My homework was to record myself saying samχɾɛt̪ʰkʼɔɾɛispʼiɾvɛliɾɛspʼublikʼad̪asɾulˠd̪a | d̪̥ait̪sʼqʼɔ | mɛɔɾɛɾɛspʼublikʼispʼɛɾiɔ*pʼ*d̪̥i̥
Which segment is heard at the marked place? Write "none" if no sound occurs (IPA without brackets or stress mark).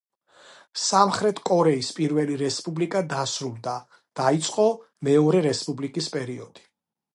none